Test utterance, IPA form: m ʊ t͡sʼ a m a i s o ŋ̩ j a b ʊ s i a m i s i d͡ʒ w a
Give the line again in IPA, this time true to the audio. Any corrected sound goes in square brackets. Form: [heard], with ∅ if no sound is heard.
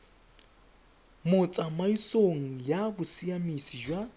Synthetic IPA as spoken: m ʊ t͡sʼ a m a i s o ŋ̩ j a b ʊ s i a m i s i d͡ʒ w a